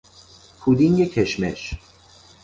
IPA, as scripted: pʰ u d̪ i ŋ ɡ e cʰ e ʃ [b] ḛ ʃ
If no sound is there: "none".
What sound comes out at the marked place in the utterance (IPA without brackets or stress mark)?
m